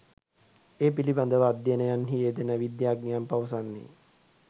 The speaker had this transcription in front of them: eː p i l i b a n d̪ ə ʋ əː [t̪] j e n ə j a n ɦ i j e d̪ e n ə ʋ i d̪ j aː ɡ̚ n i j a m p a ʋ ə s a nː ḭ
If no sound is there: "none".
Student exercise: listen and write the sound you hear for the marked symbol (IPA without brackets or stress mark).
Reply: d̪